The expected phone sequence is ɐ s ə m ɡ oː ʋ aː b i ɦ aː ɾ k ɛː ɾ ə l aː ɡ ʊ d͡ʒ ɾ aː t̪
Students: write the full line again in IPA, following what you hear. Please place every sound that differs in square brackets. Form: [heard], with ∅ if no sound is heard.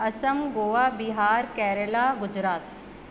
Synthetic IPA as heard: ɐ s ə m ɡ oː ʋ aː b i ɦ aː ɾ k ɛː ɾ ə l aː ɡ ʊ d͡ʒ ɾ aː t̪